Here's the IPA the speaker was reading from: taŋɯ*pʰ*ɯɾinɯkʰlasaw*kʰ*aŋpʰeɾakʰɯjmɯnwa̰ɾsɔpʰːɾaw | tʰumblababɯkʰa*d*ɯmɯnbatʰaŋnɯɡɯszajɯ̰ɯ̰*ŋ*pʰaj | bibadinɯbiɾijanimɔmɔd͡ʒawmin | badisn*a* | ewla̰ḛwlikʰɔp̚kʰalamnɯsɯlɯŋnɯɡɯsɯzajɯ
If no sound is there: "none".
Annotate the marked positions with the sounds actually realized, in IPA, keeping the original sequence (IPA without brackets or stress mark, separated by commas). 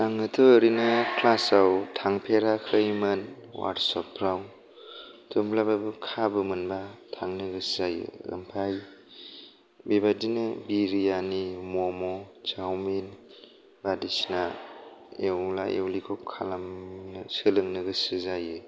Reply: tʰ, tʰ, b, m, a